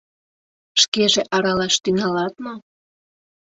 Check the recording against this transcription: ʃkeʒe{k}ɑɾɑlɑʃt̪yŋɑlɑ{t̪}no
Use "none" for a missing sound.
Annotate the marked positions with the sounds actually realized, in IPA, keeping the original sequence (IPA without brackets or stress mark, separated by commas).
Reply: ʔ, t̪